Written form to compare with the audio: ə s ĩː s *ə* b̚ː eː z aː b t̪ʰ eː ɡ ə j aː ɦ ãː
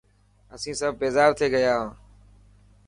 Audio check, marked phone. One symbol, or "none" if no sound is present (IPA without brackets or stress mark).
ə